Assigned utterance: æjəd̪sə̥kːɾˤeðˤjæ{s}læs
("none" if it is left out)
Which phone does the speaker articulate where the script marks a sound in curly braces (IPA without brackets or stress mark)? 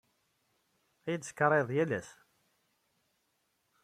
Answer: none